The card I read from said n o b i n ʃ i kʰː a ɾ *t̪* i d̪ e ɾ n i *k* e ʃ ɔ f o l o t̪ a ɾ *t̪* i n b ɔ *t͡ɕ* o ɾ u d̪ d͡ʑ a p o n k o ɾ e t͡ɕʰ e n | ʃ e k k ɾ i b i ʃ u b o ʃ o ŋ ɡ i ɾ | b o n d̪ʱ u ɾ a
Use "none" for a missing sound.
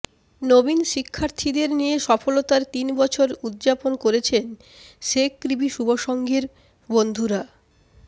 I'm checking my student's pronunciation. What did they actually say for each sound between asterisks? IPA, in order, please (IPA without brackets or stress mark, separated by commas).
t̪ʰ, none, t̪, t͡ɕʰ